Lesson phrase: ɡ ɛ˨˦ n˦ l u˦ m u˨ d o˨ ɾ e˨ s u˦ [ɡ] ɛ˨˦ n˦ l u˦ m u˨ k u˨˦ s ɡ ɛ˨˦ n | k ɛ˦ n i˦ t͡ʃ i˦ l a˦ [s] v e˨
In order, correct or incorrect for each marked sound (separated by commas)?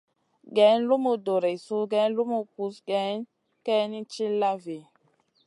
correct, incorrect